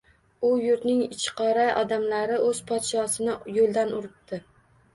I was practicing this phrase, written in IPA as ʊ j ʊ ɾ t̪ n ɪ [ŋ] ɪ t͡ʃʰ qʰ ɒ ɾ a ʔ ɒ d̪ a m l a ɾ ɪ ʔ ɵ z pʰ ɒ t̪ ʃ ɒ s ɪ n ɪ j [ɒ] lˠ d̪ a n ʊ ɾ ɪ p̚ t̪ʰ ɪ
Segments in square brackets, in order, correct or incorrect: correct, incorrect

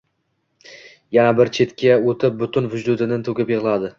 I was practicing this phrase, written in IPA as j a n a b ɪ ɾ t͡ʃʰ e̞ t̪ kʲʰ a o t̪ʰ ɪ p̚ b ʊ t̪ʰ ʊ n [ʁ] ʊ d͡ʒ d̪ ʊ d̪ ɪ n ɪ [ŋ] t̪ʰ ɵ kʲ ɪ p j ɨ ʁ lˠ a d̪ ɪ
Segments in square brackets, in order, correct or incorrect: incorrect, incorrect

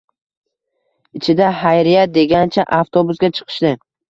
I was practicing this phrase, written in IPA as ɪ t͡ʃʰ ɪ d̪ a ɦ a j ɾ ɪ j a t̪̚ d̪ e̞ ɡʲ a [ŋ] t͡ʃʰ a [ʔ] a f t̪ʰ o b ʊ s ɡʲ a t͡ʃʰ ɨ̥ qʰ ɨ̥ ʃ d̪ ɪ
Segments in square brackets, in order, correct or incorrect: incorrect, correct

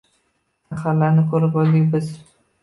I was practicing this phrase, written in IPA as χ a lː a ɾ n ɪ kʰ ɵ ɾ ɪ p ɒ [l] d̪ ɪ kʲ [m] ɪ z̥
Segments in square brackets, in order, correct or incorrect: correct, incorrect

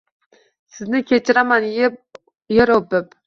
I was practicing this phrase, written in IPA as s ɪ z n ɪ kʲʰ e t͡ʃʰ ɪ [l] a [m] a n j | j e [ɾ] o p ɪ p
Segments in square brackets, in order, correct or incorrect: incorrect, correct, correct

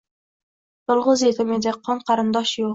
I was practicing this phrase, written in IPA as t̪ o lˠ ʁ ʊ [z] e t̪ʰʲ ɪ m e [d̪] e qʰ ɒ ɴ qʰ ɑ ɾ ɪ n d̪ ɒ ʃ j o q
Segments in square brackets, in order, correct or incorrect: correct, correct

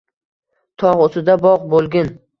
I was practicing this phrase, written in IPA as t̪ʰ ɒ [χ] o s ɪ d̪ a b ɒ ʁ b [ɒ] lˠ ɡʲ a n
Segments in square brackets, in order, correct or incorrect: incorrect, incorrect

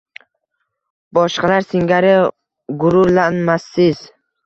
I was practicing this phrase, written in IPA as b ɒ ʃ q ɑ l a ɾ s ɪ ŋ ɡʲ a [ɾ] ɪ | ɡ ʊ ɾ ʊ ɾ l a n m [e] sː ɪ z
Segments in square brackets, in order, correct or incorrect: correct, incorrect

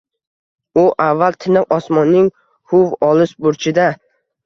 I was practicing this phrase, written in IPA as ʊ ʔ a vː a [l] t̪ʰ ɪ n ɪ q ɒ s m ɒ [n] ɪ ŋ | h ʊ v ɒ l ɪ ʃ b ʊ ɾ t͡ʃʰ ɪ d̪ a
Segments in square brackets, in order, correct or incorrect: correct, incorrect

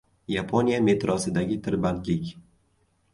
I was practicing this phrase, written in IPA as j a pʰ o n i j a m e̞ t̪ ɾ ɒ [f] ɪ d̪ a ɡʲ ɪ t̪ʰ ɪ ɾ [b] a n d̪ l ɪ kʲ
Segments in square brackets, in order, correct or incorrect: incorrect, correct

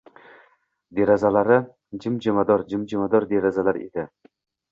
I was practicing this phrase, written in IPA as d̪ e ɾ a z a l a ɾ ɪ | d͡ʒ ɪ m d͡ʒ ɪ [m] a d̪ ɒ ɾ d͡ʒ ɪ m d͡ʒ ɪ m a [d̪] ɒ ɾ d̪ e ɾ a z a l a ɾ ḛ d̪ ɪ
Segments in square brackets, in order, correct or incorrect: correct, correct

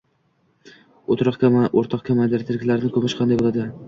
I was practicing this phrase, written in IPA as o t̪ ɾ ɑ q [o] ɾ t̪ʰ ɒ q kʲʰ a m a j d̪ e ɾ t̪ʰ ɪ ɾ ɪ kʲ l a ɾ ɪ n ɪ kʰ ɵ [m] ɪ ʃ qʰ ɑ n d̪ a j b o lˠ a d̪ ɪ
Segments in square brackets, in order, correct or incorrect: correct, correct

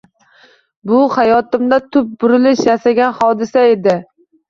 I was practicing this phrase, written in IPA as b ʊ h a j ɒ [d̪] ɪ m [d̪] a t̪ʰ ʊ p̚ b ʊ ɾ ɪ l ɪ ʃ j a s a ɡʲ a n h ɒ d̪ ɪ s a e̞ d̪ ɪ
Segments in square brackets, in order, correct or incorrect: incorrect, correct

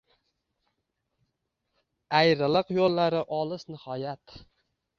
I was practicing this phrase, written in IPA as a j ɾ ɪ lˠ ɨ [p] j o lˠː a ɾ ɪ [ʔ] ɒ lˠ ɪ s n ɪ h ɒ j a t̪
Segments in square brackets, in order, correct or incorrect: incorrect, correct

